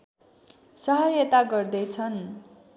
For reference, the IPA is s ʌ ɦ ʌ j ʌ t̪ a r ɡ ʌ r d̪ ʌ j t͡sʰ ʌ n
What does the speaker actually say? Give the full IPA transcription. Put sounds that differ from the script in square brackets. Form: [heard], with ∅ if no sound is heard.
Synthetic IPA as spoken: s ʌ ɦ ʌ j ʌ t̪ a [∅] ɡ ʌ r d̪ ʌ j t͡sʰ ʌ n